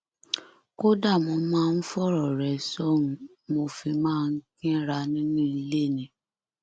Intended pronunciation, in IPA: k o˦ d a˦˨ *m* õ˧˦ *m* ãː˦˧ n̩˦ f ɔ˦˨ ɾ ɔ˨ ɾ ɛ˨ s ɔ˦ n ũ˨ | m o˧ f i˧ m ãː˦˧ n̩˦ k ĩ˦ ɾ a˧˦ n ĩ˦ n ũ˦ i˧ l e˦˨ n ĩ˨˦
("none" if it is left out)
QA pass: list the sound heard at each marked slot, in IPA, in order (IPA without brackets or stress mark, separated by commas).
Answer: m, m